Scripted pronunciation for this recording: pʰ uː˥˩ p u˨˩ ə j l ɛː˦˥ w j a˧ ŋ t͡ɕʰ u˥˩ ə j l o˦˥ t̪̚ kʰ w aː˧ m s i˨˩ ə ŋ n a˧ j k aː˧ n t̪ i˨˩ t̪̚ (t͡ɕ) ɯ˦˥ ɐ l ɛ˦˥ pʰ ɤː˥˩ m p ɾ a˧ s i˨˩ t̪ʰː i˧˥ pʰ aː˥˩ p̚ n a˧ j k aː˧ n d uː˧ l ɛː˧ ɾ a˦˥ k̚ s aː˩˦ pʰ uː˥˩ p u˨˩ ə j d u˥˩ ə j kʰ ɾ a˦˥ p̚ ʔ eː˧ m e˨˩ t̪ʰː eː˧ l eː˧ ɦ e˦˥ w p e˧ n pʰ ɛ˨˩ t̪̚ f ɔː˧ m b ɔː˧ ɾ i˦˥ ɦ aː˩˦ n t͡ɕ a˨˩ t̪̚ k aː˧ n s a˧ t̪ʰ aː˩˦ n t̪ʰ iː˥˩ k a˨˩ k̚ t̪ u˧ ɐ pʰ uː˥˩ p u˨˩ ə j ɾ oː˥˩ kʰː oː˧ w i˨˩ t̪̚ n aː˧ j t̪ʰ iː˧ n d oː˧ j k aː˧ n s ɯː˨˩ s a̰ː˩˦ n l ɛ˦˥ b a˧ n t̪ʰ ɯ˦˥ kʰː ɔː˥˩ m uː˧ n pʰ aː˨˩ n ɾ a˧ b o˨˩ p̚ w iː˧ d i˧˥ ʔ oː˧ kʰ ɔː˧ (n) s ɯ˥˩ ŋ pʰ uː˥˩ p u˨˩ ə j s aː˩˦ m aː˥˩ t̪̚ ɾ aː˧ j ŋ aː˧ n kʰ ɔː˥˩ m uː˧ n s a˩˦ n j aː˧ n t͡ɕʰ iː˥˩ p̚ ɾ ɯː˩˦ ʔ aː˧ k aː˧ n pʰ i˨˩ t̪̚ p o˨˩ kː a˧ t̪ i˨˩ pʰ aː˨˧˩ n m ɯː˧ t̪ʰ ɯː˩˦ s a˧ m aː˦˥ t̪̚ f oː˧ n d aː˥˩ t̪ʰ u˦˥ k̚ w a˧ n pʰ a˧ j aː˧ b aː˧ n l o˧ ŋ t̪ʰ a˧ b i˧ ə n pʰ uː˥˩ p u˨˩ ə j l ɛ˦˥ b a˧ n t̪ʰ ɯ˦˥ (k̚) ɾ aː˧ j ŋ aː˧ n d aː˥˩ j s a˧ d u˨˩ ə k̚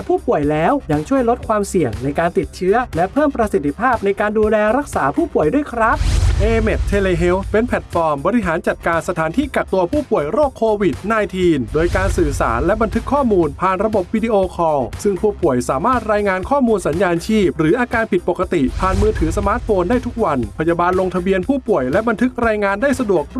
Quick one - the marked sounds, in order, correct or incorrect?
incorrect, incorrect, correct

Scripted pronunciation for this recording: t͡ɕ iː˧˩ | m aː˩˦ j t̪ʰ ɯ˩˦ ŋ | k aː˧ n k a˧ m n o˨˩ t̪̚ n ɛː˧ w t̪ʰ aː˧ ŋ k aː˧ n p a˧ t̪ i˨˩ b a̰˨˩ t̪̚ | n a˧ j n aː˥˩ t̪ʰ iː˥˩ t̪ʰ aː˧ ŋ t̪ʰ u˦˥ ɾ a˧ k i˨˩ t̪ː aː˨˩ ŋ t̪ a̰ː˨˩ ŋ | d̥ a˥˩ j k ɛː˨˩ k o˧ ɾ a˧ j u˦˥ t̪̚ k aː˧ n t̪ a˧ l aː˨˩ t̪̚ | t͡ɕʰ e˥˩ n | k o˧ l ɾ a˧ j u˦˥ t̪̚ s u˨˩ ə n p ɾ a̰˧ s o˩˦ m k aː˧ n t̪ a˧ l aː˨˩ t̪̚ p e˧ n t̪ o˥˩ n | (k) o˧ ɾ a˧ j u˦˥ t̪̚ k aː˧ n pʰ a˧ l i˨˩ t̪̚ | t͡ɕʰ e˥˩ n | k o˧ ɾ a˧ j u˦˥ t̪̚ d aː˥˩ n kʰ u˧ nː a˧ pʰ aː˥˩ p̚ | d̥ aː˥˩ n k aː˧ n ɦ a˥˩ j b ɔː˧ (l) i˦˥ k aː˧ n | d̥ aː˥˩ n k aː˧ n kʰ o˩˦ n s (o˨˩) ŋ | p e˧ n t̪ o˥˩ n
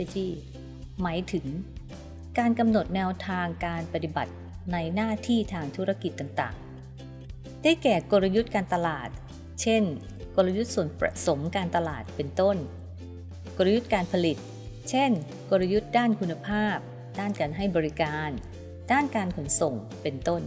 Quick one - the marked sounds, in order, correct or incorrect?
correct, incorrect, correct

